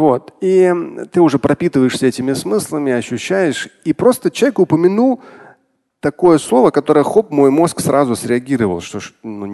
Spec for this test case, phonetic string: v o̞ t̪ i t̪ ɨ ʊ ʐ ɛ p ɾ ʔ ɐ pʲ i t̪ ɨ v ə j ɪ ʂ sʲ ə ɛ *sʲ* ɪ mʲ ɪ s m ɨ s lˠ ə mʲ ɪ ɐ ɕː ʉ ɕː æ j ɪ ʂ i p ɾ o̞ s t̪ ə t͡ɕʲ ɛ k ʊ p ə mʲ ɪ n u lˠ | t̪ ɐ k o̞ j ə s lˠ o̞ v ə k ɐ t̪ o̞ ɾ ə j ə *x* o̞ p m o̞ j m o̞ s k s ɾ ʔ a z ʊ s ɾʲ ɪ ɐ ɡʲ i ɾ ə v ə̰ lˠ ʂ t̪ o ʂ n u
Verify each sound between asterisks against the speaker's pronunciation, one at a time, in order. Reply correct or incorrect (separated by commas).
incorrect, correct